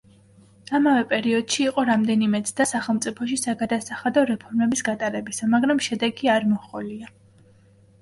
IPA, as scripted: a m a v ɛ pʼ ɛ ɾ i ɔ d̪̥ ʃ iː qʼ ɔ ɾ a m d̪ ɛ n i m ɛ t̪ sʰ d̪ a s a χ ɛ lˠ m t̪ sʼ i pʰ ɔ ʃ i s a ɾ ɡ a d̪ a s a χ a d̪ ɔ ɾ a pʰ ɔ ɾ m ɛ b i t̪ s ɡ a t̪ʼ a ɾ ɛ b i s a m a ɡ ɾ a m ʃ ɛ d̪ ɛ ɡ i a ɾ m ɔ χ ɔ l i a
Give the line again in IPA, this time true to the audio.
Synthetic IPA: a m a v ɛ pʼ ɛ ɾ i ɔ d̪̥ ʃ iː qʼ ɔ ɾ a m d̪ ɛ n i m ɛ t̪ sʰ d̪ a s a χ ɛ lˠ m t̪ sʼ i pʰ ɔ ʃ i s a ɡ a d̪ a s a χ a d̪ ɔ ɾ ɛ pʰ ɔ ɾ m ɛ b i s ɡ a t̪ʼ a ɾ ɛ b i s a m a ɡ ɾ a m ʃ ɛ d̪ ɛ ɡ i a ɾ m ɔ χ ɔ l i a